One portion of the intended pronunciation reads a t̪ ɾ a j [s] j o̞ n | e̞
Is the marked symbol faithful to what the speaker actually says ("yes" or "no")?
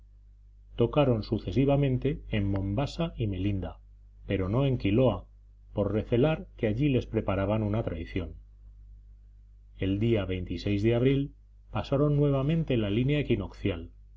no